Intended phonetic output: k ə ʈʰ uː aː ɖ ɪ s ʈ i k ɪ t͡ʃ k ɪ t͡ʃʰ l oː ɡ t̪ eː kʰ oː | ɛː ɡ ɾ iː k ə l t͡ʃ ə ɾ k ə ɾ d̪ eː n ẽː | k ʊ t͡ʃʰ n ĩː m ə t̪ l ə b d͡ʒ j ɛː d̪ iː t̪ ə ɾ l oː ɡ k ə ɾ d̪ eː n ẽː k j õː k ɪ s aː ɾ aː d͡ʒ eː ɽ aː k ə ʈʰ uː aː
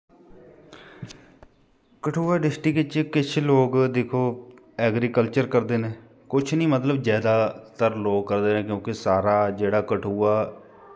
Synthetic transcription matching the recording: k ə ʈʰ uː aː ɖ ɪ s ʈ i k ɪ t͡ʃ k ɪ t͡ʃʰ l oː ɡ d̪ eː kʰ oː | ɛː ɡ ɾ iː k ə l t͡ʃ ə ɾ k ə ɾ d̪ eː n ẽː | k ʊ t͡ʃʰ n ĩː m ə t̪ l ə b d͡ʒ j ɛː d̪ aː t̪ ə ɾ l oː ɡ k ə ɾ d̪ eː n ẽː k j õː k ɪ s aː ɾ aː d͡ʒ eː ɽ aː k ə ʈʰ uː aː